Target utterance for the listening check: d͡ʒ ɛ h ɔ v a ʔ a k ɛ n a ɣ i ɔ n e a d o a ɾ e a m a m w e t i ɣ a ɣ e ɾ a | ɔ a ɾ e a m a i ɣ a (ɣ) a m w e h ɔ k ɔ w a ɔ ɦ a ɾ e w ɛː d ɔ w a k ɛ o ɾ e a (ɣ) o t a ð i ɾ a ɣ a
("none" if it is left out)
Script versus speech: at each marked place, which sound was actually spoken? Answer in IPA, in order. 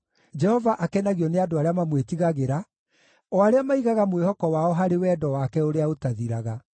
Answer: ɣ, none

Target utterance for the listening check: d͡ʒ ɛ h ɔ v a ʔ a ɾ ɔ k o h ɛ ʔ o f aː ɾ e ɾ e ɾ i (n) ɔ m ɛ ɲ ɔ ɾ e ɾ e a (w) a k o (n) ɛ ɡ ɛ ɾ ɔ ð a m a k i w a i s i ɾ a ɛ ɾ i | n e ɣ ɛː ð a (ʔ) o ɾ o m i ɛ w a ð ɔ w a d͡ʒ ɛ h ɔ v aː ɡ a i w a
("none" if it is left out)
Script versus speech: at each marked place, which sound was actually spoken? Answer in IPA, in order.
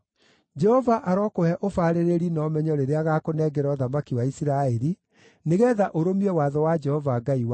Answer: n, ɣ, n, ʔ

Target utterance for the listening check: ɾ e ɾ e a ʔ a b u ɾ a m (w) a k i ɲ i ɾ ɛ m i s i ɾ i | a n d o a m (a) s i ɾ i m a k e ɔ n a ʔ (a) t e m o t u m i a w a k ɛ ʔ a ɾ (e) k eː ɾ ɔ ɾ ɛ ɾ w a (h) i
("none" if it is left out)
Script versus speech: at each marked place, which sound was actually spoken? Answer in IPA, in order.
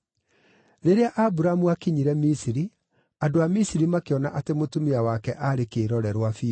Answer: u, i, a, e, f

